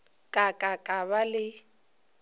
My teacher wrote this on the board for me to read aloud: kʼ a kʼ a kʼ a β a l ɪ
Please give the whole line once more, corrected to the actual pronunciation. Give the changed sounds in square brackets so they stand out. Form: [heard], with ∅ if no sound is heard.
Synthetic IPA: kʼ a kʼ a kʼ a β a l ɪ